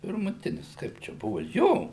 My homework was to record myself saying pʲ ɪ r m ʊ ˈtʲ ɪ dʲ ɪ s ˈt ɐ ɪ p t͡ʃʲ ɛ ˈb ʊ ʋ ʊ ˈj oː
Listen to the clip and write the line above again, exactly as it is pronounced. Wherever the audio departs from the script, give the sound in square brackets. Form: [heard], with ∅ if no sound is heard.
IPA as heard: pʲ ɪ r m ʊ ˈtʲ ɪ [nʲ] ɪ s [ˈk] ɐ ɪ p t͡ʃʲ ɛ ˈb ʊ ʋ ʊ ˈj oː